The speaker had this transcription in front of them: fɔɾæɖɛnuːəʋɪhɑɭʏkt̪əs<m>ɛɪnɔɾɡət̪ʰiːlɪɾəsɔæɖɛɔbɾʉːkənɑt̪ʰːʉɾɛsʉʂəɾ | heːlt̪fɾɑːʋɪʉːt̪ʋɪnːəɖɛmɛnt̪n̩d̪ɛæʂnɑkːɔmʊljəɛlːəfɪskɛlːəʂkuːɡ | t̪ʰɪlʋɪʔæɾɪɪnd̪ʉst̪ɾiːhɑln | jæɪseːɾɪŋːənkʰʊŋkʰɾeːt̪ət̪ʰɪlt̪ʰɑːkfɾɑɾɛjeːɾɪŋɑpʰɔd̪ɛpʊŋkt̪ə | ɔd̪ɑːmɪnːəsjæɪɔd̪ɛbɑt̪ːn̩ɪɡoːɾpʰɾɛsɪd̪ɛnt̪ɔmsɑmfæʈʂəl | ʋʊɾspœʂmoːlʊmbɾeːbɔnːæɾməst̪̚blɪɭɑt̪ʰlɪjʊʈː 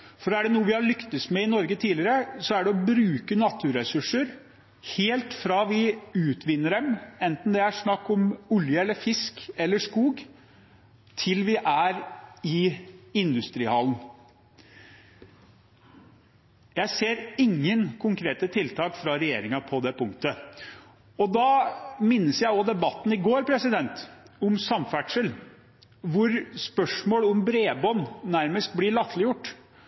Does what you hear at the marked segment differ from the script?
no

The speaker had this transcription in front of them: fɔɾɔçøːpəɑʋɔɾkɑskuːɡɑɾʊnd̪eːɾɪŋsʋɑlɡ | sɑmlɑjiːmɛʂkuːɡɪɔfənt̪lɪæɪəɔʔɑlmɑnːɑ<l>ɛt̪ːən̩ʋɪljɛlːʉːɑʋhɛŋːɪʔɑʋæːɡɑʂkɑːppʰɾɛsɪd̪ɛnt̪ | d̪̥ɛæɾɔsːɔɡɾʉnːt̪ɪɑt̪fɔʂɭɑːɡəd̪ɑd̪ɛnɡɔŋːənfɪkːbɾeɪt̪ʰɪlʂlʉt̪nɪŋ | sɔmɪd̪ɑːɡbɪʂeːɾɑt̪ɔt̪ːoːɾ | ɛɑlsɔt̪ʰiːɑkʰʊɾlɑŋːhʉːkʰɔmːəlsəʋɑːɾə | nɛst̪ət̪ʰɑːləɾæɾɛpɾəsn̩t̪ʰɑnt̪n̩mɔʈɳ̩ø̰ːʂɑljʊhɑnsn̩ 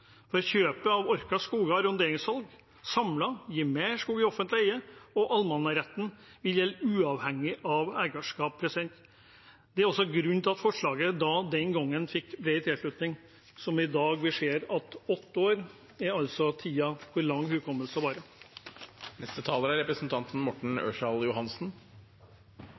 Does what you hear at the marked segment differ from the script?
yes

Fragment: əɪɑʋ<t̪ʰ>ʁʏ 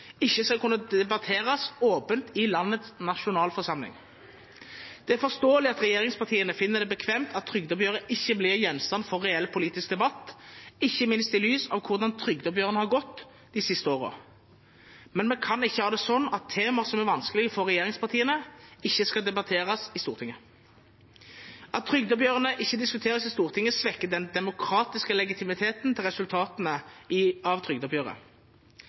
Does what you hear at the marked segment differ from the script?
no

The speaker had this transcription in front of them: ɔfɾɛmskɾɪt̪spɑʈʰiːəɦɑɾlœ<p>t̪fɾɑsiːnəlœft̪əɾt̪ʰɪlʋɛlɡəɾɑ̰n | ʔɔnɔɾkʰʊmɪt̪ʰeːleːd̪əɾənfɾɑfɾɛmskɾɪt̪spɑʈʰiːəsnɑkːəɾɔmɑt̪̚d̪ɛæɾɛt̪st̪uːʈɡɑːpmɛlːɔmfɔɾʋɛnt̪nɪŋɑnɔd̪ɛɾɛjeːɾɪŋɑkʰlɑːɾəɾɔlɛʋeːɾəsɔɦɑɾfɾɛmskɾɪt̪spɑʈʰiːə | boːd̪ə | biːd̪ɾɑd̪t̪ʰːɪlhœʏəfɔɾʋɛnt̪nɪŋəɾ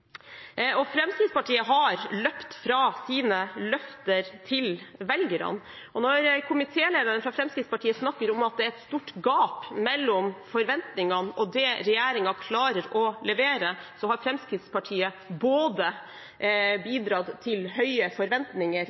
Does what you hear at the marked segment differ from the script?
no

